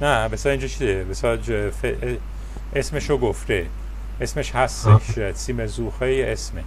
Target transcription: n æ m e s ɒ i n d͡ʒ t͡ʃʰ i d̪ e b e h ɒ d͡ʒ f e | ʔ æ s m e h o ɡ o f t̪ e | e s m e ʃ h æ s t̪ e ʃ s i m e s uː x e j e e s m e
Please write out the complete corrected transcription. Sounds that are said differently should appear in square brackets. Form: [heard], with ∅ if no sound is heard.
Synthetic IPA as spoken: n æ [b] e s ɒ i n d͡ʒ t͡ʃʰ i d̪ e b e [s] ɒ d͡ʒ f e | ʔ [e] s m e [ʃ] o ɡ o f t̪ e | e s m e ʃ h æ s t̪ e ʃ s i m e [z] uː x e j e e s m e